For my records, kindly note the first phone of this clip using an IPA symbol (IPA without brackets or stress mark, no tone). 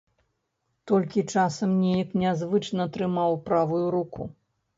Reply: t̪